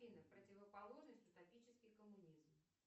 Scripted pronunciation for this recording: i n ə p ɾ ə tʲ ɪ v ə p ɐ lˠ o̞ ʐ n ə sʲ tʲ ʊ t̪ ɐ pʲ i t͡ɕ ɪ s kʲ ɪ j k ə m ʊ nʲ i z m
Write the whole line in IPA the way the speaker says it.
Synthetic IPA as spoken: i n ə p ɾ ə tʲ ɪ v ə p ɐ lˠ o̞ ʐ n ə sʲ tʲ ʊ t̪ ɐ pʲ i t͡ɕ ɪ s kʲ ɪ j k ə m ʊ nʲ i z m